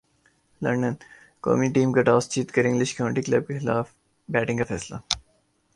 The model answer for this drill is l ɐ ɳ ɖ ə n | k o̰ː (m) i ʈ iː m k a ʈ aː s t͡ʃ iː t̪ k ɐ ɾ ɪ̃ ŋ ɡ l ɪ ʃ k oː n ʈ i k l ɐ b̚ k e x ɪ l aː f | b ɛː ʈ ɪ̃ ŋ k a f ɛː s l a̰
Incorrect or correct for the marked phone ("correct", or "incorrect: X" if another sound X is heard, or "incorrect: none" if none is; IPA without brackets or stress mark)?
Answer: correct